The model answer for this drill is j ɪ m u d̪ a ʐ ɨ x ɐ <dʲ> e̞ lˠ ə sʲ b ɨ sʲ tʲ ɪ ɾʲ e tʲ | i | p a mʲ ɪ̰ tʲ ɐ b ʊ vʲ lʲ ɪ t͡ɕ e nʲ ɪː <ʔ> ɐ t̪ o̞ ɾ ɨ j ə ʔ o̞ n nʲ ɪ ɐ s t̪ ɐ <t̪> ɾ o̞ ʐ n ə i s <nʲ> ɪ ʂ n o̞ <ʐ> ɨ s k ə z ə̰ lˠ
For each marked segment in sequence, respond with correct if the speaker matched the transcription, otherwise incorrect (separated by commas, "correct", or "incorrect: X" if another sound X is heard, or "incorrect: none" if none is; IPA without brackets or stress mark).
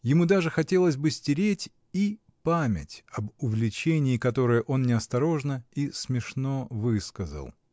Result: incorrect: tʲ, incorrect: k, incorrect: none, incorrect: mʲ, incorrect: v